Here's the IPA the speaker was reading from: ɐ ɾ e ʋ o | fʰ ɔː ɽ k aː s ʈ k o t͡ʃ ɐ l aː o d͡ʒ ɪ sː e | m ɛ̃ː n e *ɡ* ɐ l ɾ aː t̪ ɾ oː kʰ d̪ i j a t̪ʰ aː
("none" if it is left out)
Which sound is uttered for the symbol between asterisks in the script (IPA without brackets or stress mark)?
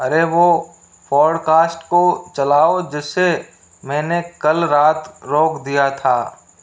k